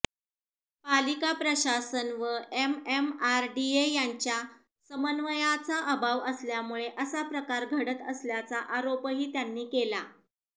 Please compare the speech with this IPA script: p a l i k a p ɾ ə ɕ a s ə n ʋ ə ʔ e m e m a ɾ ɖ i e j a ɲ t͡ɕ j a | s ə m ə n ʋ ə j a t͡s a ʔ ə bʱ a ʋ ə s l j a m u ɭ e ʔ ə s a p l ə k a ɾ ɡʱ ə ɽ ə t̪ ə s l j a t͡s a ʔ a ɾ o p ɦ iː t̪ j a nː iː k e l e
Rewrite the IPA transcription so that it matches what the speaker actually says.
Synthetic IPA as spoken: p a l i k a p ɾ ə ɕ a s ə n ʋ ə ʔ e m e m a ɾ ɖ i e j a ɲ t͡ɕ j a | s ə m ə n ʋ ə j a t͡s a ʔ ə bʱ a ʋ ə s l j a m u ɭ e ʔ ə s a p ɾ ə k a ɾ ɡʱ ə ɽ ə t̪ ə s l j a t͡s a ʔ a ɾ o p ɦ iː t̪ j a nː iː k e l a